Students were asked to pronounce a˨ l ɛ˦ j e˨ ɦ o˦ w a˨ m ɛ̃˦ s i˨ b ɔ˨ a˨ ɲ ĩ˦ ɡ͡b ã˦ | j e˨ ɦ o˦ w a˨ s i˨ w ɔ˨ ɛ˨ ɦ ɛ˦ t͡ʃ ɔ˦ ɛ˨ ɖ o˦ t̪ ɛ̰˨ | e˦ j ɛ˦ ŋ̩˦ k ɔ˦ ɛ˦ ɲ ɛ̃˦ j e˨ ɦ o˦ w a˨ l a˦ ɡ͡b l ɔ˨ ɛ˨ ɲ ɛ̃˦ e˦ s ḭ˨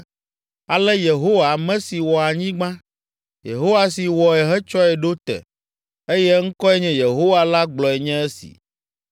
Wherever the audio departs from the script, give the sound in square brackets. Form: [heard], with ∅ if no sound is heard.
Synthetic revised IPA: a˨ l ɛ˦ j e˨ ɦ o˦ w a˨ m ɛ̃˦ s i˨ [w] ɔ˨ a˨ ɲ ĩ˦ ɡ͡b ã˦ | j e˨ ɦ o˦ w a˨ s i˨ w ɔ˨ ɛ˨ ɦ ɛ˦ t͡ʃ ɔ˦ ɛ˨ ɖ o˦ t̪ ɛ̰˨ | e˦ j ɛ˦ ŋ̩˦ k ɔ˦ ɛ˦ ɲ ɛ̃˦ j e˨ ɦ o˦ w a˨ l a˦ ɡ͡b l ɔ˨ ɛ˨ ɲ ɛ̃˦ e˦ s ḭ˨